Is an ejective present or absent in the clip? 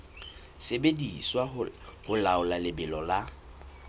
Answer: absent